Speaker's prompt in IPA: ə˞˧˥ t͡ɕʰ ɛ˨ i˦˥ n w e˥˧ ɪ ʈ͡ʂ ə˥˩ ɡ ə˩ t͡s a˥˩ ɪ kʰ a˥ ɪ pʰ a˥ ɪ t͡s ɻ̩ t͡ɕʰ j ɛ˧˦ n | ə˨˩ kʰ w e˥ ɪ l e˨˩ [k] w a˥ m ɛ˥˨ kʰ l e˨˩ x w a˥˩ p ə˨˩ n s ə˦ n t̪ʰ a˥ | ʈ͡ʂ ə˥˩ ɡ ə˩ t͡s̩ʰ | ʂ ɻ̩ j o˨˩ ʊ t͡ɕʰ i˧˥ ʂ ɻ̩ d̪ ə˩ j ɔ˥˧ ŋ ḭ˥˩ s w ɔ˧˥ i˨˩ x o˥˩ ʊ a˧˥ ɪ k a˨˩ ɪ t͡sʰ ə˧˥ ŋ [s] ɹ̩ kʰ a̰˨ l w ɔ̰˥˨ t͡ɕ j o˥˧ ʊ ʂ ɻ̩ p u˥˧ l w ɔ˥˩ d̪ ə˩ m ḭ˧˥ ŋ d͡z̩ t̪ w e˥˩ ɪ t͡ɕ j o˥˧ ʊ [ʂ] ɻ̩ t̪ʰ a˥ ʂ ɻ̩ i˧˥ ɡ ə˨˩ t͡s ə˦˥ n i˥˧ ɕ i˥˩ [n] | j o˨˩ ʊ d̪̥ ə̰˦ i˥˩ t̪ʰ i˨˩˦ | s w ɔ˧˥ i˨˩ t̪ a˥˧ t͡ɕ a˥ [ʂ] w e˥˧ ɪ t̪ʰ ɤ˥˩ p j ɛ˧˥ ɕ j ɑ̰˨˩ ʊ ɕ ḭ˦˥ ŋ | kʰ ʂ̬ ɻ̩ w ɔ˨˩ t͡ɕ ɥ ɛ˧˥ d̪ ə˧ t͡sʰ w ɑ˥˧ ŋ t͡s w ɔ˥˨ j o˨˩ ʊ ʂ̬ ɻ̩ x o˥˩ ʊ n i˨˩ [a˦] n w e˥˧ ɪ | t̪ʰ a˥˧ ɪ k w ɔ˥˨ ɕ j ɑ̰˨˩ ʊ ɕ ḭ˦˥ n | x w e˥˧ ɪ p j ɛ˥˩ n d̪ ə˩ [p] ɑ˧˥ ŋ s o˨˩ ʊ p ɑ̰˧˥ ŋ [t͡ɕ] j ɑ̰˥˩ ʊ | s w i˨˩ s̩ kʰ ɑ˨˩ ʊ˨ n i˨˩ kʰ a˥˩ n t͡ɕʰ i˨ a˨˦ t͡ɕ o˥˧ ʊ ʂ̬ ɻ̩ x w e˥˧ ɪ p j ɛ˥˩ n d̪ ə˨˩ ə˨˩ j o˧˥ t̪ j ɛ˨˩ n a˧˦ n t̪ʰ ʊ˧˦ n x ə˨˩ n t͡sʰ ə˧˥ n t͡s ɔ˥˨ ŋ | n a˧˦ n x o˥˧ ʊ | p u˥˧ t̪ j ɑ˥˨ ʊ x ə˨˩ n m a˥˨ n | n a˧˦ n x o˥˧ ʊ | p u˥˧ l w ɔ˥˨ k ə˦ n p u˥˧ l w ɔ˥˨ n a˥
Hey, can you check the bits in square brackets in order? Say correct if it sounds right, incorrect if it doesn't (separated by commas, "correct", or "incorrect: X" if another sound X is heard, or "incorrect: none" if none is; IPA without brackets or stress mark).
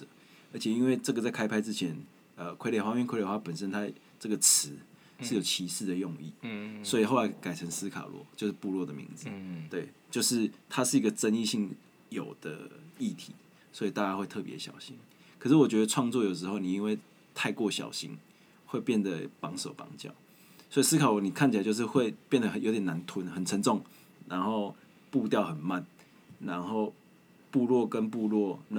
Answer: incorrect: x, correct, correct, incorrect: ŋ, incorrect: x, incorrect: i˦, correct, correct